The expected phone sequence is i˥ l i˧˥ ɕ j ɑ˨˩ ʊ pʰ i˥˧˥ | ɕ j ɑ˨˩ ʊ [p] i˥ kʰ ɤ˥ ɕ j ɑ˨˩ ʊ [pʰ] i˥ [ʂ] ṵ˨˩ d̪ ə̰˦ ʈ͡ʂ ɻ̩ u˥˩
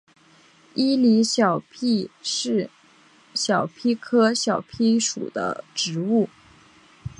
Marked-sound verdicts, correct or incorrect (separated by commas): incorrect, correct, correct